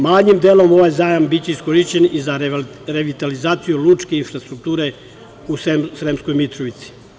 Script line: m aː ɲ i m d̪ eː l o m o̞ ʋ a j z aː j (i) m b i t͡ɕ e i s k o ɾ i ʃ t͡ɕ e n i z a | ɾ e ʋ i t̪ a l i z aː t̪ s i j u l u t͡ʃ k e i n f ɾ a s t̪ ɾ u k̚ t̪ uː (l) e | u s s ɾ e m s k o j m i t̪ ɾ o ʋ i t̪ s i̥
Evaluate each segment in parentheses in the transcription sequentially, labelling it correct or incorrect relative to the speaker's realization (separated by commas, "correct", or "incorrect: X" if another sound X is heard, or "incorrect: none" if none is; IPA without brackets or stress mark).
incorrect: a, incorrect: ɾ